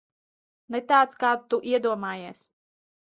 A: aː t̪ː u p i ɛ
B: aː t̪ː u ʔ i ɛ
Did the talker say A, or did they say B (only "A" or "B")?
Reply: B